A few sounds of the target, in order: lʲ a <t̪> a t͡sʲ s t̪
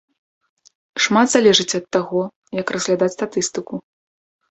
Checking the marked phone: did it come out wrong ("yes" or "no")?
yes